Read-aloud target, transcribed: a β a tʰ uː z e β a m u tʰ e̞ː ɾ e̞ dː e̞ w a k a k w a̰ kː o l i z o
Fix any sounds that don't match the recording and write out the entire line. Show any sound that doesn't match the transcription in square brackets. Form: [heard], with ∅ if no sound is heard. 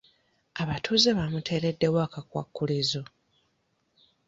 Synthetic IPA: a β a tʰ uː z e β a m u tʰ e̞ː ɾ e̞ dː e̞ w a k a k w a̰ kː [u] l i z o